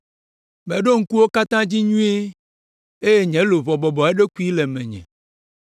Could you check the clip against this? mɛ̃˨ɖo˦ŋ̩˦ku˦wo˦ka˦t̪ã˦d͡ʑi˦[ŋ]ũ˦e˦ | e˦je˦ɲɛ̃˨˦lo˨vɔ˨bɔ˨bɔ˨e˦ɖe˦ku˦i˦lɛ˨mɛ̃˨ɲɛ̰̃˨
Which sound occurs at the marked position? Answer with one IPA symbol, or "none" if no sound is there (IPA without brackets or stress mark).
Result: ɲ